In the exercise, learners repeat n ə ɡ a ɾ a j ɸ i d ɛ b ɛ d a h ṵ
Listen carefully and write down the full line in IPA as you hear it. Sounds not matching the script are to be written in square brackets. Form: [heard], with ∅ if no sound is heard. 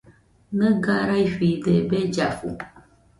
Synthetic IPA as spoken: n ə ɡ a ɾ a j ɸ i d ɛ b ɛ [d͡ʒ] a [f] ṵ